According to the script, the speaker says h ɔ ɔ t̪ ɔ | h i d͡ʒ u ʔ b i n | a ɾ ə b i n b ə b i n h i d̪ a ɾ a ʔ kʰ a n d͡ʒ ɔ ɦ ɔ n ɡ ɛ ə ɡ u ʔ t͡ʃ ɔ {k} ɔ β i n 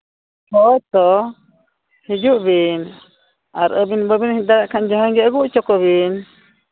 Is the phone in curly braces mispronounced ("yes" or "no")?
no